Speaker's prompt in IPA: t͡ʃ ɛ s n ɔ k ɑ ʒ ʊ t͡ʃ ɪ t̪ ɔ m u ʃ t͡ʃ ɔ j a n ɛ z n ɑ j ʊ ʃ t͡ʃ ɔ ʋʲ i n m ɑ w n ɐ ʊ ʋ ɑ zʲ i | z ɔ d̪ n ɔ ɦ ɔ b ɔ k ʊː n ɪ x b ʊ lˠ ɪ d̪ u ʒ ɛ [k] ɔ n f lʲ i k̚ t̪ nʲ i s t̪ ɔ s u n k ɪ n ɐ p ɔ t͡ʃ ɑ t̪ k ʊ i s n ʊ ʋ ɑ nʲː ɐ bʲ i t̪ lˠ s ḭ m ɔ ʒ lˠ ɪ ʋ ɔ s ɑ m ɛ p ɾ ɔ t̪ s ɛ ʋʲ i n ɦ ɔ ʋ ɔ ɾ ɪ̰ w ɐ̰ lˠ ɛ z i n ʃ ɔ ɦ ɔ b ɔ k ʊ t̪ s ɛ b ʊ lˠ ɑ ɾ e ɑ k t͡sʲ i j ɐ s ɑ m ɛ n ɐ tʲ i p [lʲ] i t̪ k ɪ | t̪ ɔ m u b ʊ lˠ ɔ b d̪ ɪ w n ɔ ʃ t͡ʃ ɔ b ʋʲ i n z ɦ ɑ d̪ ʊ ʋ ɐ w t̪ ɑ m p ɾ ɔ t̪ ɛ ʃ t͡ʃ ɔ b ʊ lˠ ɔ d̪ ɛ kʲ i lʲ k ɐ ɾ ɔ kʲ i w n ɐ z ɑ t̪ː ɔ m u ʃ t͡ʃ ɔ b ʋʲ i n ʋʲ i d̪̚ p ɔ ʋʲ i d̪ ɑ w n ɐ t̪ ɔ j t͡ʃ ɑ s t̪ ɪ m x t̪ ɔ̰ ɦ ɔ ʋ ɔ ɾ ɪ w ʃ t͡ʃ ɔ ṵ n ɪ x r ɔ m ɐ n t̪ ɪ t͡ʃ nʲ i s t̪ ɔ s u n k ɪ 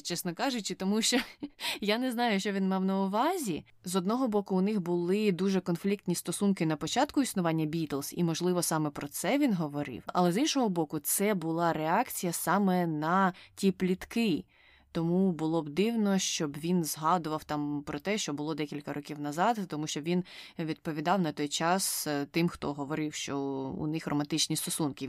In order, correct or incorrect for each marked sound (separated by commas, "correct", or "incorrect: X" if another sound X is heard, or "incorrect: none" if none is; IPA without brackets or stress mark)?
correct, correct